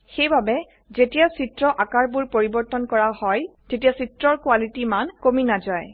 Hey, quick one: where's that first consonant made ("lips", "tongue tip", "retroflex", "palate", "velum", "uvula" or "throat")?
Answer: velum